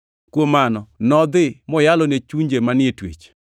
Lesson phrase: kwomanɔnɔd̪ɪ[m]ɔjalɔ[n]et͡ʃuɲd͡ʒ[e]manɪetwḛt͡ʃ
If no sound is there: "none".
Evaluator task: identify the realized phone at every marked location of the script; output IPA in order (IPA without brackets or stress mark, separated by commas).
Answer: m, n, e